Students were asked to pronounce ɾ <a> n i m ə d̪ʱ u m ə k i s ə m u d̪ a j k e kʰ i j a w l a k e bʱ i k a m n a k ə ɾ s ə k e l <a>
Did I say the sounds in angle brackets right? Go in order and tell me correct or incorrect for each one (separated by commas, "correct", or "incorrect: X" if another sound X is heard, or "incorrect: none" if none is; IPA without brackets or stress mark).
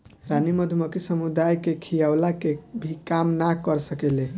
correct, incorrect: e